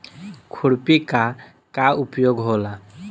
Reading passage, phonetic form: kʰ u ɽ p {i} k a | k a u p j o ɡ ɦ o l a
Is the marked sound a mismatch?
no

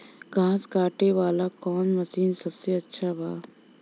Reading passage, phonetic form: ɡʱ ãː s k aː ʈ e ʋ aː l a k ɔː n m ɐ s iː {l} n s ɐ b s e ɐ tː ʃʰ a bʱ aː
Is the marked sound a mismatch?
yes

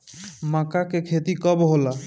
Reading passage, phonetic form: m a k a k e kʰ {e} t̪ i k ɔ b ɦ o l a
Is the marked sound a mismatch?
no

